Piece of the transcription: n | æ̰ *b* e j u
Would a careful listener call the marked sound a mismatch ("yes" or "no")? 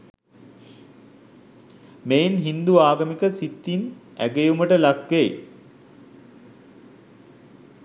yes